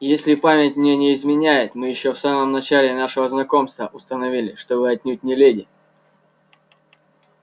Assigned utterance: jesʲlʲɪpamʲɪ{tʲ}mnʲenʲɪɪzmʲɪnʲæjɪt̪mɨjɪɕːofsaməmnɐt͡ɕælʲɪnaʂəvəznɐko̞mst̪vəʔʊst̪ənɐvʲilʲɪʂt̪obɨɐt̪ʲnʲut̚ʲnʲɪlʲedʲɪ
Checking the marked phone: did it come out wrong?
no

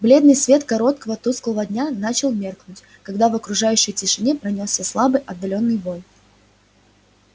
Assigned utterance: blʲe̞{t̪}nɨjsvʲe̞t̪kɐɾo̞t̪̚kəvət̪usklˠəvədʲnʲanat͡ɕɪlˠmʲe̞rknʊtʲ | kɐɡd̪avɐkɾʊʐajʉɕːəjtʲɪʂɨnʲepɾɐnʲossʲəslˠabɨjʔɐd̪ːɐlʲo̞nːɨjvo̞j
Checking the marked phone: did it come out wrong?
yes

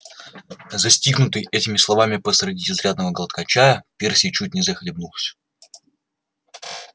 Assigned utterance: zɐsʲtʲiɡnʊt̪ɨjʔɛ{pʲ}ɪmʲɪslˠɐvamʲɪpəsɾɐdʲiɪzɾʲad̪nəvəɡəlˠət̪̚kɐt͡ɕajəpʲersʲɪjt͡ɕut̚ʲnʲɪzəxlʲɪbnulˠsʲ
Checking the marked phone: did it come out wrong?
yes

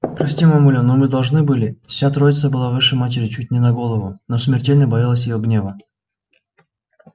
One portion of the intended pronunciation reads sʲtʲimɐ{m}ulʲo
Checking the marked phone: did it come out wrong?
no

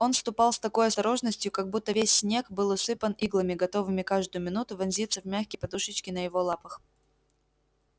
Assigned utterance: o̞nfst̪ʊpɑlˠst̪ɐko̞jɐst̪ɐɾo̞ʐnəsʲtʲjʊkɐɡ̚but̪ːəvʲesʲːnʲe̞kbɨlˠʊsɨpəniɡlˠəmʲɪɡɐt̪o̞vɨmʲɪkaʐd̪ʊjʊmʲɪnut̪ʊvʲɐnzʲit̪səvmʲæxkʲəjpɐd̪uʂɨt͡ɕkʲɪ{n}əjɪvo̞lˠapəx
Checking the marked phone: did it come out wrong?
no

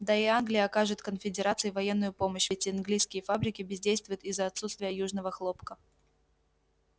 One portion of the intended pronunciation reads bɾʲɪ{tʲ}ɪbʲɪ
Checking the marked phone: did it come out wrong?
yes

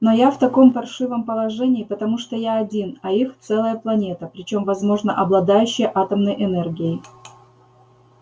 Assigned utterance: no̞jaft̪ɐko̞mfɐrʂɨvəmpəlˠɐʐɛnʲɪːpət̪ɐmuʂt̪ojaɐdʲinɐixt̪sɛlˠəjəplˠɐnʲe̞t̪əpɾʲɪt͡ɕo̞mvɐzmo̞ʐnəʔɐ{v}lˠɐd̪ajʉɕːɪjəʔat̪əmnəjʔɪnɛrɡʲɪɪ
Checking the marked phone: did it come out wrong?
yes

